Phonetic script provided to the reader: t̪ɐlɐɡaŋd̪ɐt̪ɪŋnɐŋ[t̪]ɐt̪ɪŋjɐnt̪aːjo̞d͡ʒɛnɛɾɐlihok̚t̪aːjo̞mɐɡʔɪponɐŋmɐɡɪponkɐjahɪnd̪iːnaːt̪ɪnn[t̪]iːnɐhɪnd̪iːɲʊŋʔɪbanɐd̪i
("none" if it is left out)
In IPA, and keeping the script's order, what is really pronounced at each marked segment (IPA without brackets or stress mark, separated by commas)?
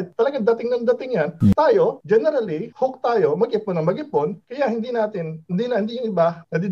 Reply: d̪, d̪